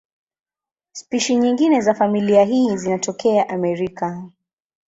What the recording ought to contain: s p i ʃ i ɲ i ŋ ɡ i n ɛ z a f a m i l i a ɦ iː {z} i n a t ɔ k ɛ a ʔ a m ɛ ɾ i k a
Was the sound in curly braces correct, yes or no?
yes